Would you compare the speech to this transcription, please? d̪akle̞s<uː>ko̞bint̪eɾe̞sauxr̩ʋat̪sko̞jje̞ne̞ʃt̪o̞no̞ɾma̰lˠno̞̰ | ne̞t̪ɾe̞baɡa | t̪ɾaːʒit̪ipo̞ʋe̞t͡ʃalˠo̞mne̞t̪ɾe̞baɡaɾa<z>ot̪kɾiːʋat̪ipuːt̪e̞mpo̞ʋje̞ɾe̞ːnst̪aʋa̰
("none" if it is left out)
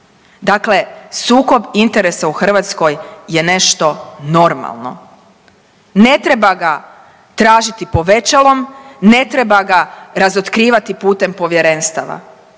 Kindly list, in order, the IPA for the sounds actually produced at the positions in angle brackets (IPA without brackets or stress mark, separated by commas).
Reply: uː, z